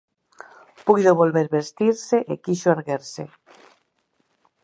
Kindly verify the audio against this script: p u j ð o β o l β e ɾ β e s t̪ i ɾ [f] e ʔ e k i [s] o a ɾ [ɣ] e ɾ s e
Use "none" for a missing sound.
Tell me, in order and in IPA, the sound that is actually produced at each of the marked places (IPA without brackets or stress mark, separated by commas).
s, ʃ, ɣ